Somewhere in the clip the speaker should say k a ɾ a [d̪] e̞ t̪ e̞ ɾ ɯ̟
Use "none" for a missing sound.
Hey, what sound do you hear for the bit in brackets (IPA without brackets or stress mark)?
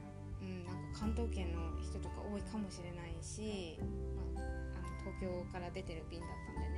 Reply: d̪